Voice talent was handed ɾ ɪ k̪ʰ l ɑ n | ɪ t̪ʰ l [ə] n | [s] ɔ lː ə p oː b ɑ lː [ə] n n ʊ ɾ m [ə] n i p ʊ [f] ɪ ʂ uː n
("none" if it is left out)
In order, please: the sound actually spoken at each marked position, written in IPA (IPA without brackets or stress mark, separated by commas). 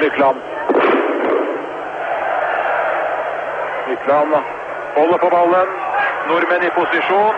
ɑ, h, ə, ə, s